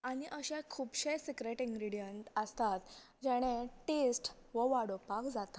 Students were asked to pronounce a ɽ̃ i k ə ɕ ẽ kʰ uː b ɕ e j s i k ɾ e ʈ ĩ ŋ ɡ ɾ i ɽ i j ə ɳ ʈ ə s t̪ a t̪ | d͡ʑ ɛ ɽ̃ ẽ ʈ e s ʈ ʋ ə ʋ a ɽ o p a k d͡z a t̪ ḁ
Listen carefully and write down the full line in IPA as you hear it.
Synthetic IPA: a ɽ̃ i ʔ ə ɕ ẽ kʰ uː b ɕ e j s i k ɾ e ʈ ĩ ŋ ɡ ɾ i ɽ i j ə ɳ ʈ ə s t̪ a t̪ | d͡ʑ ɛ ɽ̃ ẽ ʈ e s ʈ ʋ ə ʋ a ɽ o p a k d͡z a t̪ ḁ